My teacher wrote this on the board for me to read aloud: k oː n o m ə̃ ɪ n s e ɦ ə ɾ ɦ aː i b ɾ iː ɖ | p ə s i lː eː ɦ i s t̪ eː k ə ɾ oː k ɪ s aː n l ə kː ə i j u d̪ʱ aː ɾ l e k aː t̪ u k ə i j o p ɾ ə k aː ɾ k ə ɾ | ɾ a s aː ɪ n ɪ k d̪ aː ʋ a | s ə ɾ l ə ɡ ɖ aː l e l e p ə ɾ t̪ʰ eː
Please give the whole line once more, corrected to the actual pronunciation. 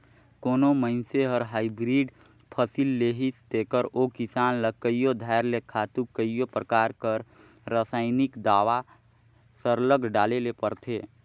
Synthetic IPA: k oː n o m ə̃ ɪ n s e ɦ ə ɾ ɦ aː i b ɾ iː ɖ | pʰ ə s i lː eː ɦ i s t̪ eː k ə ɾ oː k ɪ s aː n l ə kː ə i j o d̪ʱ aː ɾ l e kʰ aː t̪ u k ə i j o p ɾ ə k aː ɾ k ə ɾ | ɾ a s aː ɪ n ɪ k d̪ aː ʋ a | s ə ɾ l ə ɡ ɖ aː l e l e p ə ɾ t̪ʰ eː